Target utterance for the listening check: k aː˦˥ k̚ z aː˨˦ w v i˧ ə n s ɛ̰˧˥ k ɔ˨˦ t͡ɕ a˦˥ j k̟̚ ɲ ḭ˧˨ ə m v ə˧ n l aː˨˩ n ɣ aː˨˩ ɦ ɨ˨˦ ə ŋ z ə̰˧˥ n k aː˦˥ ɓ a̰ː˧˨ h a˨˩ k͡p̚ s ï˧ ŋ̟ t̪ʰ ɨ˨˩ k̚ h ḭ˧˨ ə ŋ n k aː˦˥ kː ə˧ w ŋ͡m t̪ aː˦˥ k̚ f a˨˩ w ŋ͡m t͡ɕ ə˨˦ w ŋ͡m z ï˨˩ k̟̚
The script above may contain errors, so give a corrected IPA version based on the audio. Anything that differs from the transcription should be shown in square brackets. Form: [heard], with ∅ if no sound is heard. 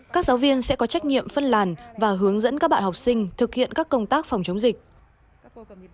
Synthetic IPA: k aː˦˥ k̚ z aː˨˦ w v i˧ ə n s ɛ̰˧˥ k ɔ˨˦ t͡ɕ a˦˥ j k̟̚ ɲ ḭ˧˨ ə m [f] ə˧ n l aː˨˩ n [v] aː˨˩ ɦ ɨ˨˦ ə ŋ z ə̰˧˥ n k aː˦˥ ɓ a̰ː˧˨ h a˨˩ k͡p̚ s ï˧ ŋ̟ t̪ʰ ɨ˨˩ k̚ h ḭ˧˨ ə [∅] n k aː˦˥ kː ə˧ w ŋ͡m t̪ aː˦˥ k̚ f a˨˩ w ŋ͡m t͡ɕ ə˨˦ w ŋ͡m z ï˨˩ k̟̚